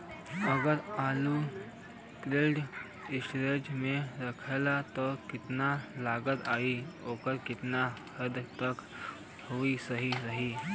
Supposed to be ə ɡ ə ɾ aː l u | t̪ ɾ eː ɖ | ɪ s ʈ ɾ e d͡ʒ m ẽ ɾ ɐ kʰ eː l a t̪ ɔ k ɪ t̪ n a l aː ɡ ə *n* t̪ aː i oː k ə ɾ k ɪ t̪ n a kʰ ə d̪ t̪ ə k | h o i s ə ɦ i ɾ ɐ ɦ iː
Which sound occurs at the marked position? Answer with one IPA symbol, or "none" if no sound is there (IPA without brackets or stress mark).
none